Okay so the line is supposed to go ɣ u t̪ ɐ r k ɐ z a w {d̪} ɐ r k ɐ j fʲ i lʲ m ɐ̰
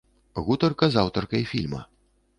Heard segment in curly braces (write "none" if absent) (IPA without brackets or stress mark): t̪